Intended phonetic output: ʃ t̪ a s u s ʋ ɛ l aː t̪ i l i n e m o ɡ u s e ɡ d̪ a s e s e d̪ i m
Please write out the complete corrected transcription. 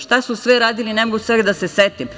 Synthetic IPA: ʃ t̪ a s u s ʋ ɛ ɾ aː d̪ i l i n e m o ɡ u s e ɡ d̪ a s e s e t̪ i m